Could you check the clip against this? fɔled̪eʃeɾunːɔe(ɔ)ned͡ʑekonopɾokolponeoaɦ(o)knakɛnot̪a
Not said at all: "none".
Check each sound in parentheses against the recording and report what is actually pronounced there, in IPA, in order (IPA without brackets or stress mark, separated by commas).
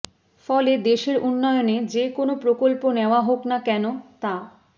o, o